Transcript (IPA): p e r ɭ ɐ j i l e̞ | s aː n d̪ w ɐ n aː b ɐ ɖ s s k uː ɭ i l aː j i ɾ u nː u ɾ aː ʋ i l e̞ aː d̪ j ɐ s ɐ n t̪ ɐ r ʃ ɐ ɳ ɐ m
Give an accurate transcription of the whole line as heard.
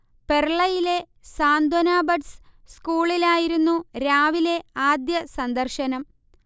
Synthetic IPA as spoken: p e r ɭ ɐ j i l e̞ | s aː n d̪ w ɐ n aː b ɐ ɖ s s k uː ɭ i l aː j i ɾ u nː u ɾ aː ʋ i l e̞ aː d̪ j ɐ s ɐ n d̪ ɐ r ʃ ɐ n ɐ m